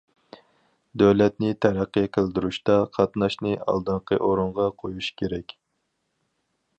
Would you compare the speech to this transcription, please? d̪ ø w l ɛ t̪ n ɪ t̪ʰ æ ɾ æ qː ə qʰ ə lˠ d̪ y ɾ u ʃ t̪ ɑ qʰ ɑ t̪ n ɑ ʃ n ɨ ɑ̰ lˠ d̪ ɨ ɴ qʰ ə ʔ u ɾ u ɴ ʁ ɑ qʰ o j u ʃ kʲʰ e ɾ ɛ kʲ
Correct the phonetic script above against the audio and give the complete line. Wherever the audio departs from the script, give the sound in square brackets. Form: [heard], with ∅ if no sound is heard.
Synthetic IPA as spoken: d̪ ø w l ɛ t̪ n ɪ t̪ʰ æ ɾ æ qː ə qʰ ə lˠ d̪ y ɾ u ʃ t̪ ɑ qʰ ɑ t̪ n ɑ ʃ n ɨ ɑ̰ lˠ d̪ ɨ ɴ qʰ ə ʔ [o] ɾ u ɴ ʁ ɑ qʰ o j u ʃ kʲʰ e ɾ ɛ kʲ